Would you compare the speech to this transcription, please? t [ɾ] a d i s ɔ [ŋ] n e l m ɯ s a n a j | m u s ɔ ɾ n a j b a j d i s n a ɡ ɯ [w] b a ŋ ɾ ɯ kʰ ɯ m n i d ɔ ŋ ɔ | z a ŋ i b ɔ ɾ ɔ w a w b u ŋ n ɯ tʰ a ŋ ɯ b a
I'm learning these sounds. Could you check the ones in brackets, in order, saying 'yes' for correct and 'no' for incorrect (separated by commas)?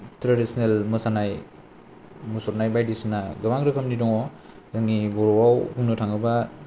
yes, no, no